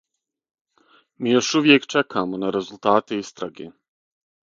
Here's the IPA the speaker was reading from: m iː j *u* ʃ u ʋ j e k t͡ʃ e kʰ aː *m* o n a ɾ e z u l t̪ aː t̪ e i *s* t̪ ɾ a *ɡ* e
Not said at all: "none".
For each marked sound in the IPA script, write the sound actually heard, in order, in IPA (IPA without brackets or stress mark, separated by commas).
o, m, s, ɡ